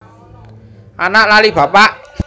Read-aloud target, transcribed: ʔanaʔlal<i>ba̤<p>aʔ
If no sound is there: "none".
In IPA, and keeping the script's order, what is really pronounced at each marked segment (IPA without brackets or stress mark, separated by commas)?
i, p